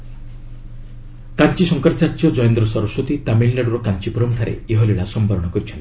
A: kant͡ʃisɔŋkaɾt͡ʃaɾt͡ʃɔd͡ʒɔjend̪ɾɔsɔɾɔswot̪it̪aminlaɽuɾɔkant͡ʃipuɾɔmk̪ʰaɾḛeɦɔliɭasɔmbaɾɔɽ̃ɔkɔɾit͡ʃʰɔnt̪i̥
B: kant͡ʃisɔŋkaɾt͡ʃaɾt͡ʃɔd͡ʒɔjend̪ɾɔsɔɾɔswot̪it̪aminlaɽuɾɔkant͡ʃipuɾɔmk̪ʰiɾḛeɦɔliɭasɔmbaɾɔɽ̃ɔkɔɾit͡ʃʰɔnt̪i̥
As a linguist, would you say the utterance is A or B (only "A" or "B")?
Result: A